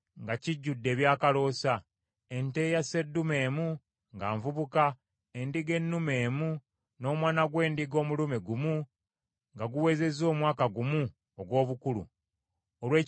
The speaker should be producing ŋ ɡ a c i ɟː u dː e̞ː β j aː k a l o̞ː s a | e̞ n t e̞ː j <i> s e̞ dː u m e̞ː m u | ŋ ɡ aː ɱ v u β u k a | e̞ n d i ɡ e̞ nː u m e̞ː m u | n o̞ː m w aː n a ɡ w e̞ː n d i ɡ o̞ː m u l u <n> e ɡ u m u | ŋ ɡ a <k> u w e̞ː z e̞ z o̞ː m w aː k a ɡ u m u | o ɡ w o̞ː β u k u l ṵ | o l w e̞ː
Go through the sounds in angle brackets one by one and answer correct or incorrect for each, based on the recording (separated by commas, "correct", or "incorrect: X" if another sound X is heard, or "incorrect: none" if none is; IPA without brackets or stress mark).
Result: incorrect: a, incorrect: m, incorrect: ɡ